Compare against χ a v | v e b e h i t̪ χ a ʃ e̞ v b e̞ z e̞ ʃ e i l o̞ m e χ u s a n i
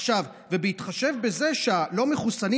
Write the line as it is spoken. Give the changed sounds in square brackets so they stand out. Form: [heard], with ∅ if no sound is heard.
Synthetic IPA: [ʃ] a v | v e b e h i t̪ χ a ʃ e̞ v b e̞ z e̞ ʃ e [a] l o̞ m e χ u s a n i